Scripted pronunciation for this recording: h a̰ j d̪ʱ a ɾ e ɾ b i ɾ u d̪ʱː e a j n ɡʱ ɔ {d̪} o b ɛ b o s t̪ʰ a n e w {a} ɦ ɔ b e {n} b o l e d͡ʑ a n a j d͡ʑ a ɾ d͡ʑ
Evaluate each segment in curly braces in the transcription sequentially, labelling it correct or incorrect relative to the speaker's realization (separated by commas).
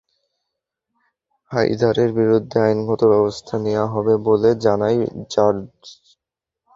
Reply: incorrect, correct, incorrect